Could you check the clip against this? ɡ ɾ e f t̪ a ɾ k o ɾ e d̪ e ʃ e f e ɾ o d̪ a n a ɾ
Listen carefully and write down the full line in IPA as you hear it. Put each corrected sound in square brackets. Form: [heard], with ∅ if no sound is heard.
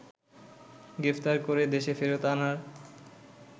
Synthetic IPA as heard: ɡ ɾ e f t̪ a ɾ k o ɾ e d̪ e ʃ e f e ɾ o [t̪] a n a ɾ

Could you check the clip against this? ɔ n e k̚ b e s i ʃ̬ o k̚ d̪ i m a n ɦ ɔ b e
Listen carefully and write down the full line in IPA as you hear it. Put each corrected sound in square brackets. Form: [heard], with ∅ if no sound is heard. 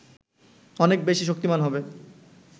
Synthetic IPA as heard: ɔ n e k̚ b e [ʃ] i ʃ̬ o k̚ [t̪] i m a n ɦ ɔ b e

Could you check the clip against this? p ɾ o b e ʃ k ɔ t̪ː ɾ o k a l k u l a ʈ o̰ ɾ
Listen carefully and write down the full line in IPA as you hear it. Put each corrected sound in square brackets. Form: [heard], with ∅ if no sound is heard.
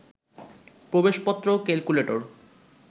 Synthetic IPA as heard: p ɾ o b e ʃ [p] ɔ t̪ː ɾ o k [e] l k u l [e] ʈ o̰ ɾ

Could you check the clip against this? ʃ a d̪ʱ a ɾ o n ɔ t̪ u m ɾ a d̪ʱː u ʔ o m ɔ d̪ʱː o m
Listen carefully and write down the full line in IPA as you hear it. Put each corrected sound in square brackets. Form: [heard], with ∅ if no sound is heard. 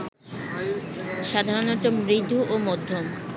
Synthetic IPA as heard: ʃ a d̪ʱ a ɾ o n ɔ t̪ [o] m ɾ [i] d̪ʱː u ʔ o m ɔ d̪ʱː o m

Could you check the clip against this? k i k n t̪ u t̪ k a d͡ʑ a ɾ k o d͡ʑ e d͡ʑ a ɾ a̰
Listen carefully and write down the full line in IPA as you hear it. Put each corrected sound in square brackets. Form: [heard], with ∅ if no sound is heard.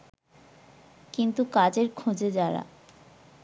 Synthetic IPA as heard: k i [∅] n t̪ u [∅] k a d͡ʑ [e] ɾ [kʰ] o d͡ʑ e d͡ʑ a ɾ a̰

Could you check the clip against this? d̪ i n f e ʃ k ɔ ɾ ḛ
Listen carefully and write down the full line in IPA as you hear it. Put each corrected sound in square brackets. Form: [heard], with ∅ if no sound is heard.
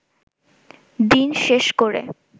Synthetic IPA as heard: d̪ i n [ʃ] e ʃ k [o] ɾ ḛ

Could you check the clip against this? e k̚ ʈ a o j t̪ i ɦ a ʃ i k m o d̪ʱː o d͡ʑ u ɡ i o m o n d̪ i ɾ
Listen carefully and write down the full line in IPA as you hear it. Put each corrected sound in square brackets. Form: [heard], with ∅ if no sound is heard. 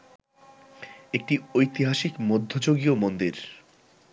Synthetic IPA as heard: e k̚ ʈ [i] o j t̪ i ɦ a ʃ i k m o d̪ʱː o d͡ʑ [o] ɡ i o m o n d̪ i ɾ

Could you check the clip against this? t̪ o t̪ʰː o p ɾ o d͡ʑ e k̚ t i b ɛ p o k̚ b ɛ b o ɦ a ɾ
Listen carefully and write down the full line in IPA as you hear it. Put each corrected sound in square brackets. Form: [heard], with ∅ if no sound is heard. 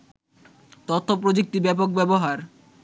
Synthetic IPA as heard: t̪ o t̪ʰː o p ɾ o d͡ʑ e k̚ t i b ɛ p o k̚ b ɛ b o ɦ a ɾ

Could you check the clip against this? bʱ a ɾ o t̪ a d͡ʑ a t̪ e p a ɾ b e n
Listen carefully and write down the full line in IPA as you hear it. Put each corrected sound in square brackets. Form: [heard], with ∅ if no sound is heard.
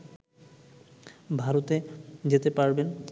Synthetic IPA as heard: bʱ a ɾ o t̪ [e] d͡ʑ [e] t̪ e p a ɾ b e n

